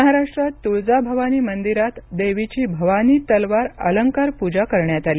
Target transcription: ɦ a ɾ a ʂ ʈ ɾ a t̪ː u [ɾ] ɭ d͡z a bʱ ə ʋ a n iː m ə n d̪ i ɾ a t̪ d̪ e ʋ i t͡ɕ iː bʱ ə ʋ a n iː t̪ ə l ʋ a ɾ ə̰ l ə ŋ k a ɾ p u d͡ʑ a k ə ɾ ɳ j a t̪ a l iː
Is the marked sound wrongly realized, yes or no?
yes